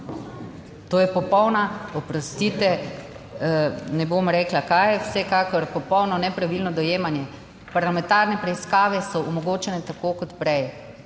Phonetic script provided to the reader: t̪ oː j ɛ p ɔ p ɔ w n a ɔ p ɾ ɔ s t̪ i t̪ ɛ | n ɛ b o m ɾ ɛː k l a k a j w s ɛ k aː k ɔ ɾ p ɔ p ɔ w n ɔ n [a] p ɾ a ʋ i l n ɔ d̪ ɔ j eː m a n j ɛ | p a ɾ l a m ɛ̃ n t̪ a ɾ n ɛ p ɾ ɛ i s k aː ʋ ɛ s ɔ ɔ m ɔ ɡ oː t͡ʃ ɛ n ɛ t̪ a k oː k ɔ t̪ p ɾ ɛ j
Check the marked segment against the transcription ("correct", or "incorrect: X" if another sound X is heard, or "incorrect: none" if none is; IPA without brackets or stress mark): incorrect: ɛ